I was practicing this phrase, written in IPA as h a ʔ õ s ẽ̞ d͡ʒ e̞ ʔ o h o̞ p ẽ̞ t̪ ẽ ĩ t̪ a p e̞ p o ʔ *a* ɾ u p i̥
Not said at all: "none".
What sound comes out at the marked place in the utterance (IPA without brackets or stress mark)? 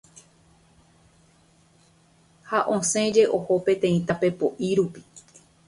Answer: i